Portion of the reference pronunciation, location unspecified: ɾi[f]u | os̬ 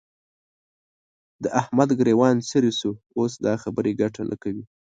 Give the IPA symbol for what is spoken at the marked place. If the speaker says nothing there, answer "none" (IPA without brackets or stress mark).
s